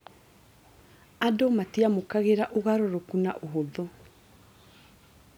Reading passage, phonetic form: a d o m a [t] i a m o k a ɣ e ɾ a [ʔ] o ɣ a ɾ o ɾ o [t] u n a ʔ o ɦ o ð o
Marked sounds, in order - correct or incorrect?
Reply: correct, correct, incorrect: k

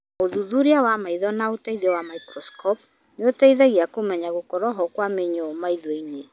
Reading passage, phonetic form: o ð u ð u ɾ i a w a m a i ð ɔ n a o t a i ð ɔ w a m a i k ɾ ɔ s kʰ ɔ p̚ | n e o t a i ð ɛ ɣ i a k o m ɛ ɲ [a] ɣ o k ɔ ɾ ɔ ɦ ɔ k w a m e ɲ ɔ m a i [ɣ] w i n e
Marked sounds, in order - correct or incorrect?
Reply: correct, incorrect: ð

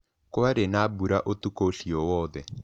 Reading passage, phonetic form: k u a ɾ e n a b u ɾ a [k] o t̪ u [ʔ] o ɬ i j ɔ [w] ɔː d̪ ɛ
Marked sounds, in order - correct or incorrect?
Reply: incorrect: ʔ, incorrect: k, correct

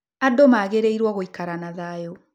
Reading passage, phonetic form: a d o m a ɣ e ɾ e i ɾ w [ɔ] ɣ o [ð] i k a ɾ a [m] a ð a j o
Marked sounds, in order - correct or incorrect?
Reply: correct, incorrect: none, incorrect: n

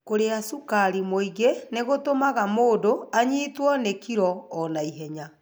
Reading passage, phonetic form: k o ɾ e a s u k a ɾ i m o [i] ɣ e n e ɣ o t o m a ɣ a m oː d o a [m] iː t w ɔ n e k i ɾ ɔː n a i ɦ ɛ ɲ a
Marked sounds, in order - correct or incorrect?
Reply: correct, incorrect: ɲ

